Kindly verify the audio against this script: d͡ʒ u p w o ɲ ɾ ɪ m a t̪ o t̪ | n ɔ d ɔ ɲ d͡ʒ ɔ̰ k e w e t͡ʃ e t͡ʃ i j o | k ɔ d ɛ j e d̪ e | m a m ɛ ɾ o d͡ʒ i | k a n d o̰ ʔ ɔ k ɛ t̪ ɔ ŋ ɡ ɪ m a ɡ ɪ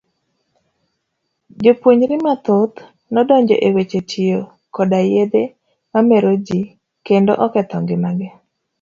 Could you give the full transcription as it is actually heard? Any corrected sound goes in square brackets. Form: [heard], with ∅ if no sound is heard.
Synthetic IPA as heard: d͡ʒ [o] p w o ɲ ɾ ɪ m a t̪ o t̪ | n ɔ d ɔ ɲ d͡ʒ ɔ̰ [ʔ] e w e t͡ʃ e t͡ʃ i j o | k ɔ d [a] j e d̪ e | m a m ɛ ɾ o d͡ʒ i | k [e] n d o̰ ʔ ɔ k ɛ t̪ ɔ ŋ ɡ ɪ m a ɡ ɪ

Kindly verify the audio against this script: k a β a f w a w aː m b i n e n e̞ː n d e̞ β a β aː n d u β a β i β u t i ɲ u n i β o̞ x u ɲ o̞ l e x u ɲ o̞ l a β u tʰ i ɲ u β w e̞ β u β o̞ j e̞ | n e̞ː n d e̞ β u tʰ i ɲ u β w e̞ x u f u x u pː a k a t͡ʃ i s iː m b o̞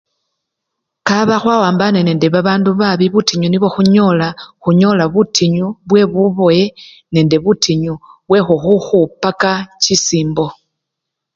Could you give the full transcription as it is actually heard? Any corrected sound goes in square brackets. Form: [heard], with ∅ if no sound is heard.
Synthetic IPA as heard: k a β a [x] w a w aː m b [a] n e n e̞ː n d e̞ β a β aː n d u β a β i β u t i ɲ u n i β o̞ x u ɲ o̞ l [a] x u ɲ o̞ l a β u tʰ i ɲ u β w e̞ β u β o̞ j e̞ | n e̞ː n d e̞ β u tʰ i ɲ u β w e̞ x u [x] u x u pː a k a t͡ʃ i s iː m b o̞

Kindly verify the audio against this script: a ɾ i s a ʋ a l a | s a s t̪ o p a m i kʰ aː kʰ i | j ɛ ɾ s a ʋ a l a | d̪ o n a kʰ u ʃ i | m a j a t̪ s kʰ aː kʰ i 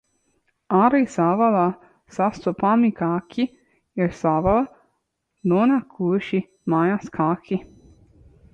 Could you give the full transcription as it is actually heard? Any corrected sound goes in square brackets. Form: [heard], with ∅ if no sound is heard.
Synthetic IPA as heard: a ɾ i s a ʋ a l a | s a s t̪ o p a m i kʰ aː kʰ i | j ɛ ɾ s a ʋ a l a | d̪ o n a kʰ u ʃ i | m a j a [∅] s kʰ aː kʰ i

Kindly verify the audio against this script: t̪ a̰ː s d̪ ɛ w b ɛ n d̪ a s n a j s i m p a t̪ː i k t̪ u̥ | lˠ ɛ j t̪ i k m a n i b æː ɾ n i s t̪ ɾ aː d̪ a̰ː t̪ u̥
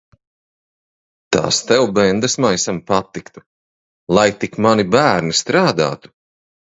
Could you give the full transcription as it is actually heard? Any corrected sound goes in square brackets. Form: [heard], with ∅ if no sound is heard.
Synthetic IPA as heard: t̪ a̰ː s [t̪] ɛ w b ɛ n d̪ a s [m] a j s [a] m p a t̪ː i k t̪ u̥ | lˠ [a] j t̪ i k m a n i b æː ɾ n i s t̪ ɾ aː d̪ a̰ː t̪ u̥

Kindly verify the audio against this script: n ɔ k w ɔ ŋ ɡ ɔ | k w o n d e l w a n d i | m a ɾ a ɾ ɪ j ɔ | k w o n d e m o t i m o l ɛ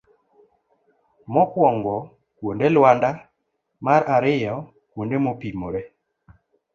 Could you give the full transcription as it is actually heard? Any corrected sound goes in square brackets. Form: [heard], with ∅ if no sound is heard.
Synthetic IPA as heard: [m] ɔ k w ɔ ŋ ɡ ɔ | k w o n d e l w a n d [a] | m a ɾ a ɾ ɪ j ɔ | k w o n d e m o [p] i m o [ɾ] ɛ

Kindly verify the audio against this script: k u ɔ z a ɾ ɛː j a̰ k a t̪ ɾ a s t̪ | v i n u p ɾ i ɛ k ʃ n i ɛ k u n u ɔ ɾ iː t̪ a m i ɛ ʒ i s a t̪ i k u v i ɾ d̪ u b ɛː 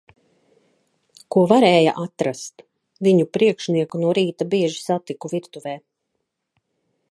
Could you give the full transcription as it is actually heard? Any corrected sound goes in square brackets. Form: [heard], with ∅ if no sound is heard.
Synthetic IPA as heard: k u ɔ [v] a ɾ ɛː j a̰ [ʔ] a t̪ ɾ a s t̪ | v i [ɲ] u p ɾ i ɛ k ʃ n i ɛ k u n u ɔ ɾ iː t̪ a [b] i ɛ ʒ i s a t̪ i k u v i ɾ [t̪] u [v] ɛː

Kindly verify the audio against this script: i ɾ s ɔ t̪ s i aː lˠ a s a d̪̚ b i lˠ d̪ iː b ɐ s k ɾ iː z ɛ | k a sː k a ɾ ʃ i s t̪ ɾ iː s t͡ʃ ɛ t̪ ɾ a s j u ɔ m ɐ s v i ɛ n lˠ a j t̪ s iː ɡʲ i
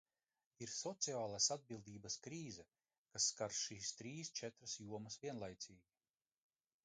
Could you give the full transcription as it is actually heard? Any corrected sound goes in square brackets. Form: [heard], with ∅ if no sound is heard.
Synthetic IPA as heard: i ɾ s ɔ t̪ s i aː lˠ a s a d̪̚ b i lˠ d̪ iː b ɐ s k ɾ iː z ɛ | k a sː k a ɾ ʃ [iː] s t̪ ɾ iː s t͡ʃ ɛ t̪ ɾ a s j u ɔ m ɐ s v i ɛ n lˠ a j t̪ s iː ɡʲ i

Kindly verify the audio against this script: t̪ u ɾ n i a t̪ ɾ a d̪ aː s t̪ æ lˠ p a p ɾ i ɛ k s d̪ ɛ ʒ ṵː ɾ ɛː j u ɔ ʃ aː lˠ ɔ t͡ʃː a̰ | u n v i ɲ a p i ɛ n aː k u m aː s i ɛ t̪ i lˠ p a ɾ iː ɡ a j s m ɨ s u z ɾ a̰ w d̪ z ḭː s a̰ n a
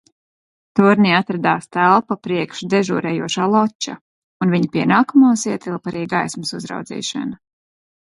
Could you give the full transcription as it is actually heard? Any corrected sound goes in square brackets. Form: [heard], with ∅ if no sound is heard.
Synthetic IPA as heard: t̪ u ɾ n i a t̪ ɾ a d̪ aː s t̪ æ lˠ p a p ɾ i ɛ k [ʃ] d̪ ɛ ʒ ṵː ɾ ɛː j u ɔ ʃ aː lˠ ɔ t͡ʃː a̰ | u n v i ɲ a p i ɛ n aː k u m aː s i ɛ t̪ i lˠ p a ɾ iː ɡ a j s m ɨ s u z ɾ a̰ w d̪ z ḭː [ʃ] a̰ n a

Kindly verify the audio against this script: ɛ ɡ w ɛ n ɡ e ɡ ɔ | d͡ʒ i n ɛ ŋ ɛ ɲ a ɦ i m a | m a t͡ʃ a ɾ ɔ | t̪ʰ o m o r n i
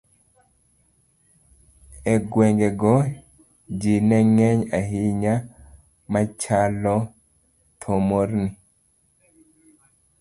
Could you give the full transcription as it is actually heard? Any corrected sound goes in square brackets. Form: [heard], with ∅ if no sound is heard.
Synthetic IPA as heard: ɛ ɡ w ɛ [ŋ] ɡ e ɡ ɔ | d͡ʒ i n ɛ ŋ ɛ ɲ a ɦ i [ɲ] a | m a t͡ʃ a [l] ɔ | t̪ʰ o m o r n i

